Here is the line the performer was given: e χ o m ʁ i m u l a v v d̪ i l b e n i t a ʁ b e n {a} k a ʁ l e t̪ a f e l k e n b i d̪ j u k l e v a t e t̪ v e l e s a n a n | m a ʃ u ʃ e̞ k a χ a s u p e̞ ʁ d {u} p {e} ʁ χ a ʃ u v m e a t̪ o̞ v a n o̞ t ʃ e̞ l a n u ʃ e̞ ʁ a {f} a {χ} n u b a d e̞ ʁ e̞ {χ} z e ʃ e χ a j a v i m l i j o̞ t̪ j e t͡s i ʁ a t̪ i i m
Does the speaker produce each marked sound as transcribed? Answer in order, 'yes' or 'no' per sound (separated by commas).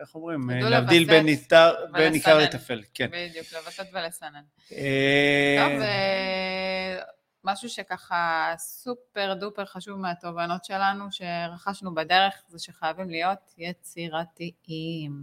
no, yes, yes, no, no, yes